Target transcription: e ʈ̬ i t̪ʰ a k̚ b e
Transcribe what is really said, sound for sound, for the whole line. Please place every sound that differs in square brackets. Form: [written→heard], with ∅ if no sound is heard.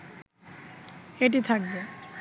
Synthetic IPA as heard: e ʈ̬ i t̪ʰ a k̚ b e